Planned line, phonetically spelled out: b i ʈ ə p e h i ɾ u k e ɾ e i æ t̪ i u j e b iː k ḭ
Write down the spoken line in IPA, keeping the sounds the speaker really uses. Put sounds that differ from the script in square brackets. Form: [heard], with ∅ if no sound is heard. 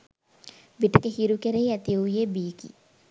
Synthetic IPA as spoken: b i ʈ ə [k] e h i ɾ u k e ɾ e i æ t̪ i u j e b iː k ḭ